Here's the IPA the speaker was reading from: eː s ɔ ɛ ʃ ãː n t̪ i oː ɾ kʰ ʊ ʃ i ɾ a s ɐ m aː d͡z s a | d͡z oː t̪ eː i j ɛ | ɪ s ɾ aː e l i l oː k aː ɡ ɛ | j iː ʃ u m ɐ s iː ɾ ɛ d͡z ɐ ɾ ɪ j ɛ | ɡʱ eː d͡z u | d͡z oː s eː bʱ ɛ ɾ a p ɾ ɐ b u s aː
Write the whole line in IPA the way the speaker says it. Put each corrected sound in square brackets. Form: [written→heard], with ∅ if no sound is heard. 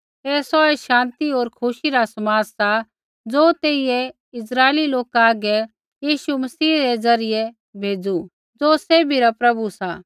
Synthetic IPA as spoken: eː s ɔ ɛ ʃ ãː n t̪ i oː ɾ kʰ ʊ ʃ i ɾ a s ɐ m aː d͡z s a | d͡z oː t̪ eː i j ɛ | ɪ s ɾ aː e l i l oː k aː ɡ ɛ | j iː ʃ u m ɐ s iː ɾ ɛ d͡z ɐ ɾ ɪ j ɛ | [ɡʱ→bʱ] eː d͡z u | d͡z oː s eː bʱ [ɛ→i] ɾ a p ɾ ɐ b u s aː